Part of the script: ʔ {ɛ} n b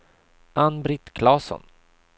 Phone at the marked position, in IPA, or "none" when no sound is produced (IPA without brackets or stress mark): a